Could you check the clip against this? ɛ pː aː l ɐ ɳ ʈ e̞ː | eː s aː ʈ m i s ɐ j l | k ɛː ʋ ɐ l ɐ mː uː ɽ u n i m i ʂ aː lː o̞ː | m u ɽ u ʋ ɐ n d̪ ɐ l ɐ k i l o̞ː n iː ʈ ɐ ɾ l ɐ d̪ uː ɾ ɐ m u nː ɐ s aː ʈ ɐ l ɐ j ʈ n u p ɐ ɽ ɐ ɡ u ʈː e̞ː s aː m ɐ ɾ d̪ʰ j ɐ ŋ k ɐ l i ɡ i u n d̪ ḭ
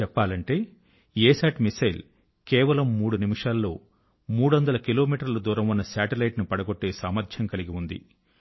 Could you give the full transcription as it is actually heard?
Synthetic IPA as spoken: ɛ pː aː l ɐ ɳ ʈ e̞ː | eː s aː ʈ m i s ɐ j l | k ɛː ʋ ɐ l ɐ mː uː ɽ u n i m i ʂ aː lː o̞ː | m uː ɽ u ʋ ɐ n d̪ ɐ l ɐ k i l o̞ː m iː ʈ ɐ ɾ l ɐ d̪ uː ɾ ɐ m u nː ɐ s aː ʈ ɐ l ɐ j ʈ n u p ɐ ɽ ɐ ɡ o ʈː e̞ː s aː m ɐ ɾ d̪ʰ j ɐ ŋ k ɐ l i ɡ i u n d̪ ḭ